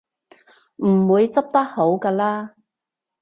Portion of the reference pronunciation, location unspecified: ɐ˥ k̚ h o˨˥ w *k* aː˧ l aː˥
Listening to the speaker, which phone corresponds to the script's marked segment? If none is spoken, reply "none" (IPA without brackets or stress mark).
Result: k